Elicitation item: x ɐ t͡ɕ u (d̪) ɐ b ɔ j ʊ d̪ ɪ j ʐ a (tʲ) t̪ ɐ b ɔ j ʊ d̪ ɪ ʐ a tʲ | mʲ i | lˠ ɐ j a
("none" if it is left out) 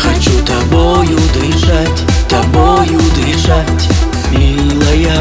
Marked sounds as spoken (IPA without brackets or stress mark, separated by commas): t̪, tʲ